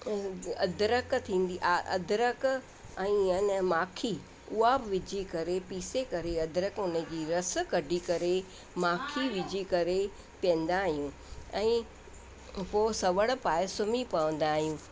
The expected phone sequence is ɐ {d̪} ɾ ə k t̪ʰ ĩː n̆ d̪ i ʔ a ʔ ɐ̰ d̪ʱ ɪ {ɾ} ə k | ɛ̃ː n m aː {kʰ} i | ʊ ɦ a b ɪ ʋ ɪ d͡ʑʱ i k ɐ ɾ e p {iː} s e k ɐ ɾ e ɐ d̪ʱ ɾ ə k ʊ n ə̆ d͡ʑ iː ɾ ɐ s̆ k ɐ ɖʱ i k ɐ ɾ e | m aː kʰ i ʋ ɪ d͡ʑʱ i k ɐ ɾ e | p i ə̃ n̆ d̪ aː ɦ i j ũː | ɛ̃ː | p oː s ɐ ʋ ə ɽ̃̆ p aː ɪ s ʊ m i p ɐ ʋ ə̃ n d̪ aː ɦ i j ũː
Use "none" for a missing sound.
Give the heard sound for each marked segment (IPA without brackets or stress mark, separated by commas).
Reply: d̪, ɾ, kʰ, iː